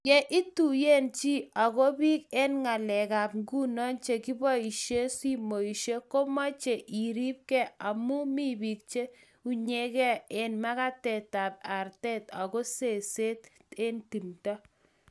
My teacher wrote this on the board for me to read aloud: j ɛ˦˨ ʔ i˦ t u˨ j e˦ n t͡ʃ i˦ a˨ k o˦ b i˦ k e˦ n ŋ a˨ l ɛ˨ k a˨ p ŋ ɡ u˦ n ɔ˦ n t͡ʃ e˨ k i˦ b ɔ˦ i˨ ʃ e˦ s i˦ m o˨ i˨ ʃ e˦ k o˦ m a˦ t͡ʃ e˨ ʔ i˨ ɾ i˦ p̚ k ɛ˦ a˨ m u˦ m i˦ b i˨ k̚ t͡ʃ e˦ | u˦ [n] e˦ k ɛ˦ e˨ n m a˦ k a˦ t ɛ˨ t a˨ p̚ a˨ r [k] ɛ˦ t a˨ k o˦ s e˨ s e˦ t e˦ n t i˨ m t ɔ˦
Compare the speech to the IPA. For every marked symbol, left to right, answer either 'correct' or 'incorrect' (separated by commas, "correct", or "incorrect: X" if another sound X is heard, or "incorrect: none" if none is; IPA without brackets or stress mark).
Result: incorrect: ɲ, incorrect: t